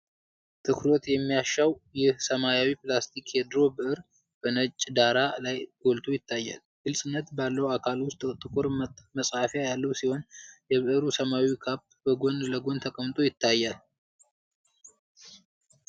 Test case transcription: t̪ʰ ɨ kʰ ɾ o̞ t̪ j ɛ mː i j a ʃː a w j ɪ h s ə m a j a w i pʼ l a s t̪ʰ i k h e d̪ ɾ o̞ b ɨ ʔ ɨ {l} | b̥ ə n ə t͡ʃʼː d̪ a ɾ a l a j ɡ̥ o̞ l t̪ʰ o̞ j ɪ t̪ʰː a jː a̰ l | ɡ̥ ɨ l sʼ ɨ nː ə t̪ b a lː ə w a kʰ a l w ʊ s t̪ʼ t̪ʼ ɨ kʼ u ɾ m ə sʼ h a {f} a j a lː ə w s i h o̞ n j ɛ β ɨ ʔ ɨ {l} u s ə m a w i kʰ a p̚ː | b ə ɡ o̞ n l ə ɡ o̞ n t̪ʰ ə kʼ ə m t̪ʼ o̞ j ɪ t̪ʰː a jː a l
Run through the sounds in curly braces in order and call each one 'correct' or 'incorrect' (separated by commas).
incorrect, correct, incorrect